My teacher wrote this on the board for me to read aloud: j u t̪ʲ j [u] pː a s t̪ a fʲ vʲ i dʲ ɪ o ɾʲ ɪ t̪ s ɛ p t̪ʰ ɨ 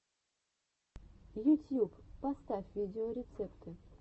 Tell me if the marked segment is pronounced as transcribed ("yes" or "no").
yes